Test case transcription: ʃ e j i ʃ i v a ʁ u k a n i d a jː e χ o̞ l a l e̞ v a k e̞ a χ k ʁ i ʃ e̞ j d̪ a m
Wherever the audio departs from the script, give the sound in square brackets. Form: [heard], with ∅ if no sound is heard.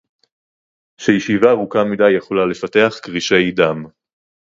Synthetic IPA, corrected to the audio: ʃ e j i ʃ i v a ʁ u k a [m] i d a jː e χ o̞ l a l e̞ [f] a [t] e̞ a χ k ʁ i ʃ e̞ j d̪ a m

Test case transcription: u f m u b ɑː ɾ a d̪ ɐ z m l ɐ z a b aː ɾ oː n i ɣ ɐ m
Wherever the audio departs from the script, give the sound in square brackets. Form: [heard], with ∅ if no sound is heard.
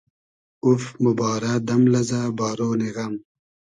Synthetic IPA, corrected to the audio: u f m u b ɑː ɾ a d̪ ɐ [∅] m l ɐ z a b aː ɾ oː n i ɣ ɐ m

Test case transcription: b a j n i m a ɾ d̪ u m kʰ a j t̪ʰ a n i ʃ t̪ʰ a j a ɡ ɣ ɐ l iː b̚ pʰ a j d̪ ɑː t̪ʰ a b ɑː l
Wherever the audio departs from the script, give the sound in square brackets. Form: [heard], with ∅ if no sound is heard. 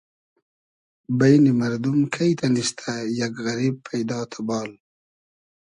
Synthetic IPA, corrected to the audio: b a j n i m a ɾ d̪ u m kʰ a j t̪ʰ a n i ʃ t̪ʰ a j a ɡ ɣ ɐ [ɾ] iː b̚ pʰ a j d̪ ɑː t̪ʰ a b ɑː l

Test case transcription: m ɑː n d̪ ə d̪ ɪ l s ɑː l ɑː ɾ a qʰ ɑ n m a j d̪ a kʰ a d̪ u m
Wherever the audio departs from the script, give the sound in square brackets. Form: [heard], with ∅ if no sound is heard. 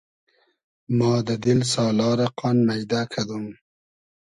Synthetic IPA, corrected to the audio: m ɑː [∅] d̪ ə d̪ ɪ l s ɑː l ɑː ɾ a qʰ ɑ n m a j d̪ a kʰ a d̪ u m

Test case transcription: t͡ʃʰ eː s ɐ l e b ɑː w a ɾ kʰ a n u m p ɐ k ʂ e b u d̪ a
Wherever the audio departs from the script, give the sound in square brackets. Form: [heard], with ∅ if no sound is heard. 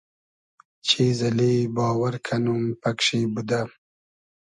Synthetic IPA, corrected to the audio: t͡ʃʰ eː [z] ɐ l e b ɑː w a ɾ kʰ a n u m p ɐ k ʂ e b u d̪ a

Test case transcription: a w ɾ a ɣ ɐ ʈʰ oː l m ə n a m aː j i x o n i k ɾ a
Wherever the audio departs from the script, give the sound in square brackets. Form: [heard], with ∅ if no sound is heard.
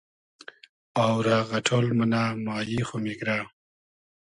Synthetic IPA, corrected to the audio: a w ɾ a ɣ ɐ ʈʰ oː l m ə n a m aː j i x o [m] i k ɾ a

